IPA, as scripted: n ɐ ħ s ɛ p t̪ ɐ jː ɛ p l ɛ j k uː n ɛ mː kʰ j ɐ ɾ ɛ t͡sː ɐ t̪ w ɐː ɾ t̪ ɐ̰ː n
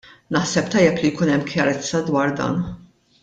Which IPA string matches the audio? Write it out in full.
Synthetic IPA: n ɐ ħ s ɛ p t̪ ɐ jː ɛ p l i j k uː n ɛ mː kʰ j ɐ ɾ ɛ t͡sː ɐ d̪ w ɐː ɾ d̪ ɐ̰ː n